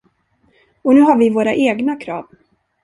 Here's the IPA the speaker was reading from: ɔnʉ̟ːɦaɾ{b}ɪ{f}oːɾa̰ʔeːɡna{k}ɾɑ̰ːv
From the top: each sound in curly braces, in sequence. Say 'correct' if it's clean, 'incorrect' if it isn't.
incorrect: v, incorrect: v, incorrect: kʰ

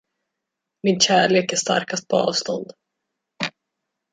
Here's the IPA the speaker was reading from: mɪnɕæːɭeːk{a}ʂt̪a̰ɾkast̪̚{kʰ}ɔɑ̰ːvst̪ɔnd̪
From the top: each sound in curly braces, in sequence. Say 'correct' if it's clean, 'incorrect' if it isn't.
incorrect: æ, incorrect: pʰ

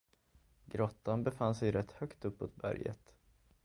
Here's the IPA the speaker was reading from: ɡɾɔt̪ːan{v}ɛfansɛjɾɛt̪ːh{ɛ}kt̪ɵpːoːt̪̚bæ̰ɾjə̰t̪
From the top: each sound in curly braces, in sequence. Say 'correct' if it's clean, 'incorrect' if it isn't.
incorrect: b, incorrect: œ

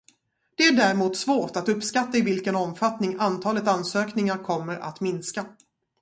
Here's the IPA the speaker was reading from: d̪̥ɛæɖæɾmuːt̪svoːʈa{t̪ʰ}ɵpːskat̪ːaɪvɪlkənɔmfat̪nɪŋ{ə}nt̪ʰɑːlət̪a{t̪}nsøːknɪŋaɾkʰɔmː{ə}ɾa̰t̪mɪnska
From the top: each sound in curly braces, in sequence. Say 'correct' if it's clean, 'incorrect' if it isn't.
incorrect: t̪, incorrect: a, incorrect: none, correct

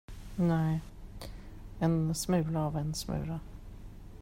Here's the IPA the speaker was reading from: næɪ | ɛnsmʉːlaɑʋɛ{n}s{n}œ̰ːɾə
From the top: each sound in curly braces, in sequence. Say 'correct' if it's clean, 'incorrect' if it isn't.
correct, incorrect: m

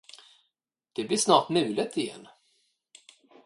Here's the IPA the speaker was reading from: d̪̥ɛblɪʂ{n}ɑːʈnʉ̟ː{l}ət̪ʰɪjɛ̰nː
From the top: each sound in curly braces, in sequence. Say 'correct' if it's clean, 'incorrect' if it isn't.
correct, correct

